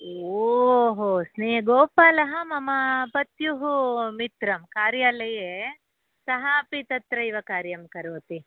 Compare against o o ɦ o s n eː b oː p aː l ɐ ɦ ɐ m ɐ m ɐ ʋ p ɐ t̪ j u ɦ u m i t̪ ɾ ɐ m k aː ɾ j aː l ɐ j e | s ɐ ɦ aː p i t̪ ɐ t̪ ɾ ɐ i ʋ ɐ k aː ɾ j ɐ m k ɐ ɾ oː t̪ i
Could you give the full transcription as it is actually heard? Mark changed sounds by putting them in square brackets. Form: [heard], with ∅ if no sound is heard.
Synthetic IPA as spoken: o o ɦ o s n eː [ɡ] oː p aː l ɐ ɦ ɐ m ɐ m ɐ [∅] p ɐ t̪ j u ɦ u m i t̪ ɾ ɐ m k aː ɾ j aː l ɐ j e | s ɐ ɦ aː p i t̪ ɐ t̪ ɾ ɐ i ʋ ɐ k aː ɾ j ɐ m k ɐ ɾ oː t̪ i